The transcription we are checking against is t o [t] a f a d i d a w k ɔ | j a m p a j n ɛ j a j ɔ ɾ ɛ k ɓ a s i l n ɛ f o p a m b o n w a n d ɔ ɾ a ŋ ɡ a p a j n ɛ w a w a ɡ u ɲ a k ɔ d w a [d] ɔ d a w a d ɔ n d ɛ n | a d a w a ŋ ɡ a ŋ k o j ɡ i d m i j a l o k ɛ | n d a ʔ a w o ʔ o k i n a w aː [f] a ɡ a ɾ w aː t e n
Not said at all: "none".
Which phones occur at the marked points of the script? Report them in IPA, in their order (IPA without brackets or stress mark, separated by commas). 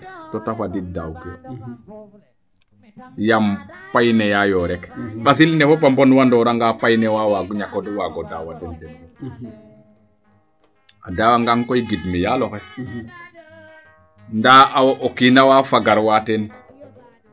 t, ɡ, f